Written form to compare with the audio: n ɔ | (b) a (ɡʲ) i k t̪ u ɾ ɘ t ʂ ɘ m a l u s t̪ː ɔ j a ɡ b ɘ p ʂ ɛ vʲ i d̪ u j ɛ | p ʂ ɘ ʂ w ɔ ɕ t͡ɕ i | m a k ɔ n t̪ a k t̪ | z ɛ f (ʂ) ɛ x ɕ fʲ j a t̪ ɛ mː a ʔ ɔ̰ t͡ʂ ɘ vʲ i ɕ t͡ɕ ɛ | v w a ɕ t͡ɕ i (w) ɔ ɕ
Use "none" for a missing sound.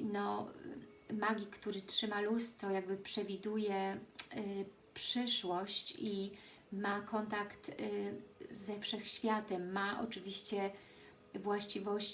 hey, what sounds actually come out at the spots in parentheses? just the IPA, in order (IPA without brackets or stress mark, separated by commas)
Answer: m, ɡʲ, ʂ, v